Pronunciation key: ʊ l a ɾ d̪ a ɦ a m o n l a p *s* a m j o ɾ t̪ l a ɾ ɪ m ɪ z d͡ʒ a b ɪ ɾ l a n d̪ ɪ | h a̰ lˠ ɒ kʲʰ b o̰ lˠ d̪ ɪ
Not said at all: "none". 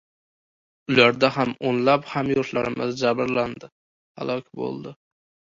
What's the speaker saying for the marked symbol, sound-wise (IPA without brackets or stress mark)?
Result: h